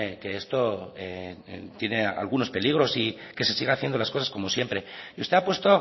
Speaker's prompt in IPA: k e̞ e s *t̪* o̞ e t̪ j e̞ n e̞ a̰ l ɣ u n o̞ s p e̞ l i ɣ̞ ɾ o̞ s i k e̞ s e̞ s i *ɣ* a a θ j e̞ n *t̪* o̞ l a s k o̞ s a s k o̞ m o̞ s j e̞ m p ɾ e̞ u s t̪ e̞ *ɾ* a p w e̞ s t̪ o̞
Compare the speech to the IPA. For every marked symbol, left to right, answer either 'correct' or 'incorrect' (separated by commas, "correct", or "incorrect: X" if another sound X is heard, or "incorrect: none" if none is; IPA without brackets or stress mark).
correct, correct, incorrect: d̪, incorrect: none